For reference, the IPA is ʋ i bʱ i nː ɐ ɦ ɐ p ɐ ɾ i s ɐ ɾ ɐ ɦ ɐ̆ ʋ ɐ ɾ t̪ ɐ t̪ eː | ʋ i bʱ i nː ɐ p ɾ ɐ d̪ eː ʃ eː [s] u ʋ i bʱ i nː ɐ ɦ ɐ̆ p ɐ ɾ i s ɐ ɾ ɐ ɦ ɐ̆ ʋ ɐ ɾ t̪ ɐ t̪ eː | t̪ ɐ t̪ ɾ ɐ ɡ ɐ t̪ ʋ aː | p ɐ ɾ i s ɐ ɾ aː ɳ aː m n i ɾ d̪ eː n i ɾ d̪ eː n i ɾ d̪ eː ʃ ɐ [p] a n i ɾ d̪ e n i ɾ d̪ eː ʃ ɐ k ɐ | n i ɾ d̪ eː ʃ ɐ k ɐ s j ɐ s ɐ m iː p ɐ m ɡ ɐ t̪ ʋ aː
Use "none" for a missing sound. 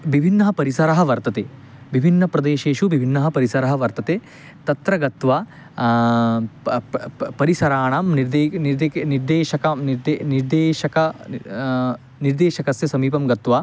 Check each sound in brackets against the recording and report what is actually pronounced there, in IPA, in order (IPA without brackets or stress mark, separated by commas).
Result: ʃ, k